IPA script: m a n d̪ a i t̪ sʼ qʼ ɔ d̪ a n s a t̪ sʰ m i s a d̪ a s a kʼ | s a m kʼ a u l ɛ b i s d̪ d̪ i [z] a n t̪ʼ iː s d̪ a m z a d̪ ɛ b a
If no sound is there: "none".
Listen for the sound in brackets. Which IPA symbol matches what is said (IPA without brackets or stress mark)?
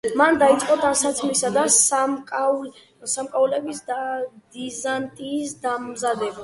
z